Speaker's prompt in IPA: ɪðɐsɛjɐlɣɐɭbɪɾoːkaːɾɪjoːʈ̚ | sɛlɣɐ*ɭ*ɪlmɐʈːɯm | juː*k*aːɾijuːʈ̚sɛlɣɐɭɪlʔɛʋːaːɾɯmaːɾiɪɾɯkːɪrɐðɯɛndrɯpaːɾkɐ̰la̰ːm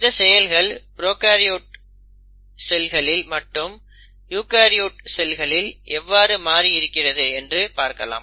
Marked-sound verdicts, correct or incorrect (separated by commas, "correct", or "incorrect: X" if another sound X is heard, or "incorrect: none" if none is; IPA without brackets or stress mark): correct, correct